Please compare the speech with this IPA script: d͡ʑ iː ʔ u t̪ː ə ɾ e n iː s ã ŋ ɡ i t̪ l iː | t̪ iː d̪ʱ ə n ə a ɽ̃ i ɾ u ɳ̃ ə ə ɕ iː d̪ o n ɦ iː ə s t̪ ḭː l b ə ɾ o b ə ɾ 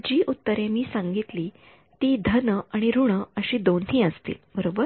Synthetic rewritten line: d͡ʑ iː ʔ u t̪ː ə ɾ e m iː s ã ŋ ɡ i t̪ l iː | t̪ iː d̪ʱ ə n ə a ɽ̃ i ɾ u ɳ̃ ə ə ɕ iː d̪ o n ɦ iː ə s t̪ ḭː l b ə ɾ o b ə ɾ